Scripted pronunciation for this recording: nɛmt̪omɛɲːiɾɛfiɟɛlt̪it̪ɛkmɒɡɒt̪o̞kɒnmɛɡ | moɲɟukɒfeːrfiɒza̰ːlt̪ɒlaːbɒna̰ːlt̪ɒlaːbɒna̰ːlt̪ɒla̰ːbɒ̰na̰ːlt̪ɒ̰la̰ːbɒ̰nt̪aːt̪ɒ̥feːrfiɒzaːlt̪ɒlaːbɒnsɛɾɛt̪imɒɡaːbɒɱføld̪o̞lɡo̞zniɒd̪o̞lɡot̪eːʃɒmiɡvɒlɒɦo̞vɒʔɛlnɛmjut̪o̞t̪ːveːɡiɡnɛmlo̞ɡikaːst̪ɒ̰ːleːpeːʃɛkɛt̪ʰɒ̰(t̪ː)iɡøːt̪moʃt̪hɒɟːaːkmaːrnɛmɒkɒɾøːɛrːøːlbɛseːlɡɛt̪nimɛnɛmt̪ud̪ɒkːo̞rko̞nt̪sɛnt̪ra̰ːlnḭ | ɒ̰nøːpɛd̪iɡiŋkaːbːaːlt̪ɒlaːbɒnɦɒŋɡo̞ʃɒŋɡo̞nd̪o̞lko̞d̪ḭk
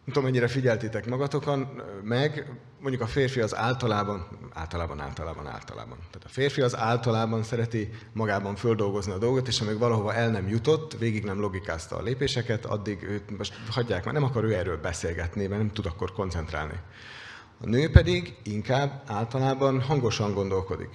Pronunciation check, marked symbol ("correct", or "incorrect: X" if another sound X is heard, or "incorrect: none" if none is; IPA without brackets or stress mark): incorrect: d̪ː